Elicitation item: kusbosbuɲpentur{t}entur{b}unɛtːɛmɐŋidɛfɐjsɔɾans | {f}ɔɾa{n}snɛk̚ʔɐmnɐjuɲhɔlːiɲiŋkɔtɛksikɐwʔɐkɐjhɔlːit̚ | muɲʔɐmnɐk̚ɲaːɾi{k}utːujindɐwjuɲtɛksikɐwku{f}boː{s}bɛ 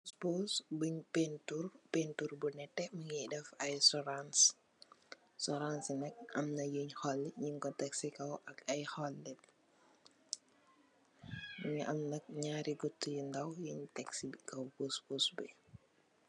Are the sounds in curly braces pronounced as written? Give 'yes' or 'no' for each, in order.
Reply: no, yes, no, yes, no, no, yes

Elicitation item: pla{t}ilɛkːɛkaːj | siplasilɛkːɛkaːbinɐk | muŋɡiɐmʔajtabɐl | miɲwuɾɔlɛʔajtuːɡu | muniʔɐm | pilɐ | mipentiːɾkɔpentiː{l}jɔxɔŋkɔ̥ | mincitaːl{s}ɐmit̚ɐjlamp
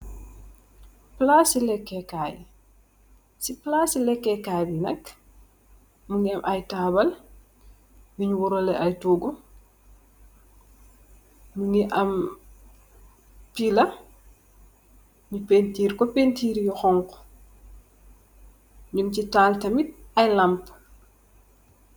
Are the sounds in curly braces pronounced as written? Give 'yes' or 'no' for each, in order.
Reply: no, no, no

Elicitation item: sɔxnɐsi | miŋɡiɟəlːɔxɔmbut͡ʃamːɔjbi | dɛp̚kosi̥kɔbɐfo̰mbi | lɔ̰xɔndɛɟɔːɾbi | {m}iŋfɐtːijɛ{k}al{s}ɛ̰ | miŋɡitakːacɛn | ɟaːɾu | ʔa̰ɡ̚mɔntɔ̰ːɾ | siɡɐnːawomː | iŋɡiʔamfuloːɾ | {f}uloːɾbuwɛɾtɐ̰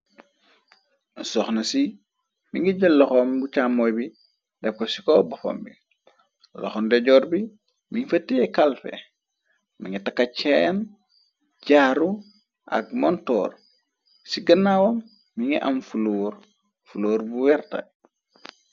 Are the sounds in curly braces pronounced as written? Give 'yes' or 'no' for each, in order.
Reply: yes, yes, no, yes

